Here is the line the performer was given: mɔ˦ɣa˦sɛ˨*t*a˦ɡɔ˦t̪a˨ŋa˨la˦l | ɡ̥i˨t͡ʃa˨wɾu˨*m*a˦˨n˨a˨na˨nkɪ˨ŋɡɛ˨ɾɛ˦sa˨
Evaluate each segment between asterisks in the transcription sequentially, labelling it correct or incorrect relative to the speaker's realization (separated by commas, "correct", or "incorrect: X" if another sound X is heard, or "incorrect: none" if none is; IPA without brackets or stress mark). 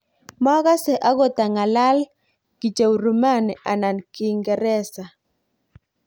incorrect: ʔ, correct